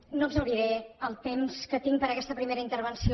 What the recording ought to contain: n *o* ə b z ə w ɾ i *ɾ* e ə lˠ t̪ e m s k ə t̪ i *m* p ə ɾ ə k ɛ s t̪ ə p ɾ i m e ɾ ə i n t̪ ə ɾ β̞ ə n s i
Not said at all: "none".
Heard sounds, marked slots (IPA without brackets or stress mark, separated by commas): o, ɾ, ŋ